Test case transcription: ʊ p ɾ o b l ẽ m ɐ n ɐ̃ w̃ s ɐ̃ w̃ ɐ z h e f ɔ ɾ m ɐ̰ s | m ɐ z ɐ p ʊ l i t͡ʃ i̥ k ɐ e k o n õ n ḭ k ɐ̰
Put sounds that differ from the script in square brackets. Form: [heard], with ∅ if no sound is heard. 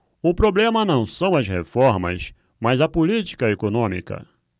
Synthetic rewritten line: ʊ p ɾ o b l ẽ m ɐ n ɐ̃ w̃ s ɐ̃ w̃ ɐ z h e f ɔ ɾ m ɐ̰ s | m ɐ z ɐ p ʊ l i t͡ʃ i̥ k ɐ e k o n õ [m] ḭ k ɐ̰